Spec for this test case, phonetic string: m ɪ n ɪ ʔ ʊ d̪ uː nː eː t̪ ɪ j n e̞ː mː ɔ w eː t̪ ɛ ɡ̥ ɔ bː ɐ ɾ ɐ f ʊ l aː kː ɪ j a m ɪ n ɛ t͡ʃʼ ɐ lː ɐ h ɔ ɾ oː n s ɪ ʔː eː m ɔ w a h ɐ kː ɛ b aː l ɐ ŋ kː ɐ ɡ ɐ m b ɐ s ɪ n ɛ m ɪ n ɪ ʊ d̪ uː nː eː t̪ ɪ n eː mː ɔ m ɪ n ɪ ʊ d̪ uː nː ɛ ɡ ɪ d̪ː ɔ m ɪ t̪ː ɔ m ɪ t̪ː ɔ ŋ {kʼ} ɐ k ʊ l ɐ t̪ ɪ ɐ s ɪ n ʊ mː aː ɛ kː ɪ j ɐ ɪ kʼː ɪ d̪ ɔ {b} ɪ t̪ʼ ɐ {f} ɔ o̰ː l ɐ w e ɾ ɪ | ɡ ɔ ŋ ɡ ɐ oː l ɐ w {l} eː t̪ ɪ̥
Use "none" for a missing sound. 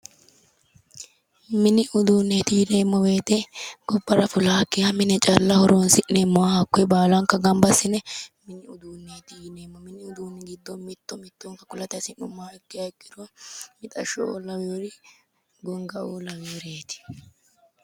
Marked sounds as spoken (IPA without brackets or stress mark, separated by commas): k, m, ʃ, ɾ